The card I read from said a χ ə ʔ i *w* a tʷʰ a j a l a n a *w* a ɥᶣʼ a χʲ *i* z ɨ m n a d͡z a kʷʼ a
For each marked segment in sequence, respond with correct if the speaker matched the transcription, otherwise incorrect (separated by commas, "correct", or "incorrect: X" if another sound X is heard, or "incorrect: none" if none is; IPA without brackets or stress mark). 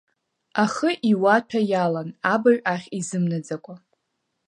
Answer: correct, incorrect: b, correct